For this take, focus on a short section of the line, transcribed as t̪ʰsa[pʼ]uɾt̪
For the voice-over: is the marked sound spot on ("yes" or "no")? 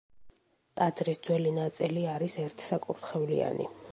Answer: no